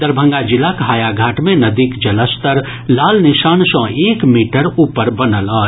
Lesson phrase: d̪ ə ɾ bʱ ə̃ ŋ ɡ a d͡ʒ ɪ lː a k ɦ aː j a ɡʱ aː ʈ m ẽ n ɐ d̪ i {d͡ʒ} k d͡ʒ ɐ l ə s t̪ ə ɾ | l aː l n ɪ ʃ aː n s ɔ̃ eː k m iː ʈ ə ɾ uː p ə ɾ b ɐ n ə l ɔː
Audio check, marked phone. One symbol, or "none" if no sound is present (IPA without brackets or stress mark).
none